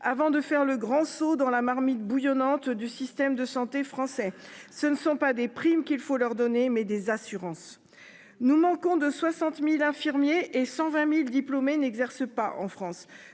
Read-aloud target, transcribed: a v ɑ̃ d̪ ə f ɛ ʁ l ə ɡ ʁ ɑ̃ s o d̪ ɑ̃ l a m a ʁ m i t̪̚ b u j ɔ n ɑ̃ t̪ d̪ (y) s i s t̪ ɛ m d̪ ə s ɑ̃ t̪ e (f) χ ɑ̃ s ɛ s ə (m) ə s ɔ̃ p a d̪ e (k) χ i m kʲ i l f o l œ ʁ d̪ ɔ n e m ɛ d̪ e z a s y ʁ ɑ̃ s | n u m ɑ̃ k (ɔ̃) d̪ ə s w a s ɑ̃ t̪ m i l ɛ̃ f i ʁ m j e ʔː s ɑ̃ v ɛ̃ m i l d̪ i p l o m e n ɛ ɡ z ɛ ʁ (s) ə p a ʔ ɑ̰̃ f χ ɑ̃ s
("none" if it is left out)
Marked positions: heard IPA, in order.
y, f, n, p, ɔ̃, s

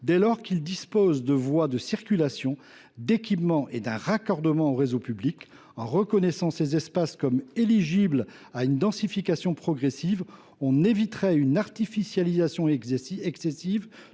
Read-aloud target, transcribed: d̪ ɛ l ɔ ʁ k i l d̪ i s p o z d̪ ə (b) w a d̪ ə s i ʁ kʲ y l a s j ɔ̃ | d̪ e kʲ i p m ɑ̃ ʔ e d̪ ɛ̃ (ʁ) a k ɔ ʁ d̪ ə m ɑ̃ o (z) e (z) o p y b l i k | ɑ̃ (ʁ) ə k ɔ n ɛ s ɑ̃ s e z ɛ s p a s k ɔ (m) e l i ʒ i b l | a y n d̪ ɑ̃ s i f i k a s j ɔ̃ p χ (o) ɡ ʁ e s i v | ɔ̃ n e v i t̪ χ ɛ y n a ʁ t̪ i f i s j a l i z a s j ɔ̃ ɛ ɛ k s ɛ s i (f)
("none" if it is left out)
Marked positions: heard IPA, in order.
v, ʁ, ʁ, z, ʁ, m, ɔ, v

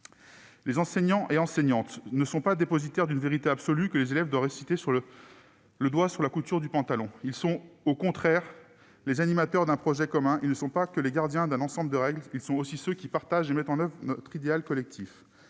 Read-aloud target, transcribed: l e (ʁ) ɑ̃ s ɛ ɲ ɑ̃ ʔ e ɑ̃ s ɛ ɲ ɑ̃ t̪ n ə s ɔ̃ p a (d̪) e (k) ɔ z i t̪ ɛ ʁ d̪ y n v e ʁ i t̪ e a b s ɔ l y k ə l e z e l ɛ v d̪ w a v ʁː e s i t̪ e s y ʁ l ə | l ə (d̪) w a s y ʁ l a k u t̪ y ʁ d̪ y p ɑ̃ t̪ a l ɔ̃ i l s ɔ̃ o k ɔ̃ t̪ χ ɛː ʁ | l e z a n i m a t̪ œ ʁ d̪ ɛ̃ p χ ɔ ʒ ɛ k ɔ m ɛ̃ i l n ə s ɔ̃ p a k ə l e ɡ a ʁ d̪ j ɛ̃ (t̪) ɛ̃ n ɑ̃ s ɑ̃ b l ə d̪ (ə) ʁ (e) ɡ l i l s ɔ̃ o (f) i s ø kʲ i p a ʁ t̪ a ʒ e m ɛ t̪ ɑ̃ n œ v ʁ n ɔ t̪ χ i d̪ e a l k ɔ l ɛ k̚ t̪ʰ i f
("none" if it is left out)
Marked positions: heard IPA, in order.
z, d̪, p, d̪, d̪, ə, ɛ, s

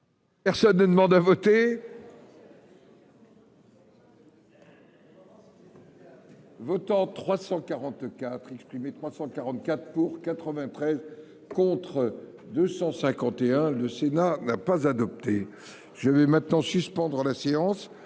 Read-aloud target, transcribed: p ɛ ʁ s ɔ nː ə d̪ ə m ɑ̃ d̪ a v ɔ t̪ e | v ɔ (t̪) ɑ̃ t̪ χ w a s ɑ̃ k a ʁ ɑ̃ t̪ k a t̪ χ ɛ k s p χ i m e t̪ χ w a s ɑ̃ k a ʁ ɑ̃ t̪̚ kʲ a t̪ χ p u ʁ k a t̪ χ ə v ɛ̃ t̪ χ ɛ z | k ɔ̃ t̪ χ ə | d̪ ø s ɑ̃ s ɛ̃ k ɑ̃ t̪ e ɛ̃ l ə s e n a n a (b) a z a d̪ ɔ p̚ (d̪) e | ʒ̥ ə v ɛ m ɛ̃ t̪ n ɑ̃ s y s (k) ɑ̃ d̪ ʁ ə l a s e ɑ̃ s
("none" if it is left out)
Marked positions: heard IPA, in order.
t̪, p, t̪, p

